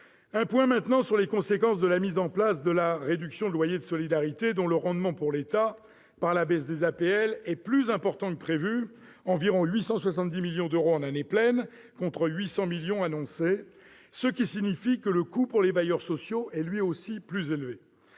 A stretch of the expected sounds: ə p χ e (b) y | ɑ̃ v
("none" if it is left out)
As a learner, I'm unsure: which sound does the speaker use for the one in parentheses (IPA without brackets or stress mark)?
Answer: v